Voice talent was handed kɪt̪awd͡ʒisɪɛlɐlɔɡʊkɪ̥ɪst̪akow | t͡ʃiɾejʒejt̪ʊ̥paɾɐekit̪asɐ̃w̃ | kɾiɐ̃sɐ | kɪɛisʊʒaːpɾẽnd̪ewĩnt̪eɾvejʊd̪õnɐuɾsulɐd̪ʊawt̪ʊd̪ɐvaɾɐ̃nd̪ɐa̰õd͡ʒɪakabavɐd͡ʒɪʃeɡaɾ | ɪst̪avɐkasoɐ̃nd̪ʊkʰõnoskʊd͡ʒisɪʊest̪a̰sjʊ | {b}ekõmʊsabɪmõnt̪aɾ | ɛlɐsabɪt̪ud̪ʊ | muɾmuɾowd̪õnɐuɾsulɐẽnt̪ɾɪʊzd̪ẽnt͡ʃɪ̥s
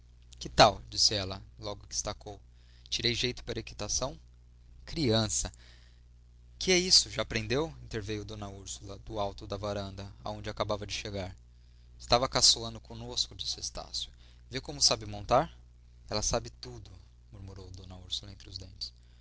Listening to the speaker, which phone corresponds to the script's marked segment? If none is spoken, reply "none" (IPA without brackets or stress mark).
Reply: v